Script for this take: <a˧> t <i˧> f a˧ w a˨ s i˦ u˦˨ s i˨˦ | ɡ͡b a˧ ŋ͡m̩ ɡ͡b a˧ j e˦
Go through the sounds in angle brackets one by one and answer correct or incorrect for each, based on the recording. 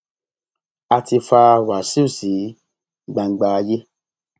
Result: correct, correct

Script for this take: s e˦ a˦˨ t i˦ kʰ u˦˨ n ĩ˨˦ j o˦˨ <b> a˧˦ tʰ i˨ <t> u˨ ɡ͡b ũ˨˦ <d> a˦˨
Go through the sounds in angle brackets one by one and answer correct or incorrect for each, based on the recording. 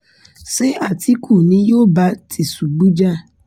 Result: correct, incorrect: s, incorrect: d͡ʒ

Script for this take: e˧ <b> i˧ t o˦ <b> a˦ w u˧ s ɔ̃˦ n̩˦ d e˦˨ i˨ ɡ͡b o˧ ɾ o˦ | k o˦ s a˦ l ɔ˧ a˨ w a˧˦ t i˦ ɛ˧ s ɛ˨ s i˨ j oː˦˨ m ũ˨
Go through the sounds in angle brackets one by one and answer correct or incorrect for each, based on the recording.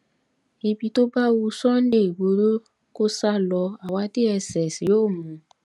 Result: correct, correct

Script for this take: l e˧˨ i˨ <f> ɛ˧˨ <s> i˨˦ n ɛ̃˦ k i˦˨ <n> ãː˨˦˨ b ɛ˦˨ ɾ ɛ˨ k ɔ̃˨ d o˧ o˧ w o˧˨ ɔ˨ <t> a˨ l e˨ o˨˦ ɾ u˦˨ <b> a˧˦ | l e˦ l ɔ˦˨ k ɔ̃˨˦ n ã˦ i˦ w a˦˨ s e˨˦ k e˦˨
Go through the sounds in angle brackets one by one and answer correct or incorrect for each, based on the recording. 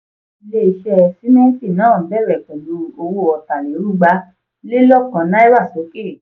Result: incorrect: ʃ, correct, correct, correct, incorrect: ɡ͡b

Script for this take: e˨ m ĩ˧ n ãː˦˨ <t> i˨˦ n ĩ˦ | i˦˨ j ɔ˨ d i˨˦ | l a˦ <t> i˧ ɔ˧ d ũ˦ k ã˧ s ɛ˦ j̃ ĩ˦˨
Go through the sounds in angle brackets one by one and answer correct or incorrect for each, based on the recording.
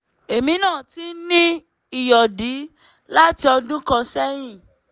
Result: correct, correct

